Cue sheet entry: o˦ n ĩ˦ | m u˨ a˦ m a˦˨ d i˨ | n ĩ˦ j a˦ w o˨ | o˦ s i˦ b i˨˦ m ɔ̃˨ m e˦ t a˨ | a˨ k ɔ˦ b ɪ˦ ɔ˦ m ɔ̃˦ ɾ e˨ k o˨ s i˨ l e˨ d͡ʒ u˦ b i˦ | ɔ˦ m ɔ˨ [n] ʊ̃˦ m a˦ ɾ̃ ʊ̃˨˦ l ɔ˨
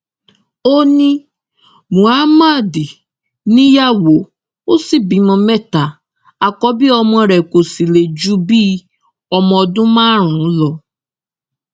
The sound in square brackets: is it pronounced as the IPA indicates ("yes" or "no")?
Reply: no